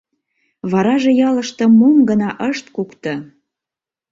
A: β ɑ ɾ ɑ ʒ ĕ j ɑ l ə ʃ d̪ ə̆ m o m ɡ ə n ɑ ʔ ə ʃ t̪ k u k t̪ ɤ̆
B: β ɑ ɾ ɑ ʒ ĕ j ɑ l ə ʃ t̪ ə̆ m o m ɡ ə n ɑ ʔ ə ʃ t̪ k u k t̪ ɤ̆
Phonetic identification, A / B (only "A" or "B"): B